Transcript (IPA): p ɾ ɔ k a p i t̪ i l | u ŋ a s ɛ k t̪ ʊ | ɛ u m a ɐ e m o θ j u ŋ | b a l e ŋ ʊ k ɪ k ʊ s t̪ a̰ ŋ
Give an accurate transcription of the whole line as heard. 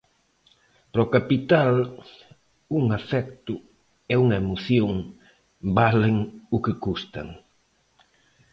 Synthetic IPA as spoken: p ɾ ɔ k a p i t̪ a l | u ŋ a f ɛ k t̪ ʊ | ɛ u ŋ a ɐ e m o θ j o ŋ | b a l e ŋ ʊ k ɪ k u s t̪ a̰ ŋ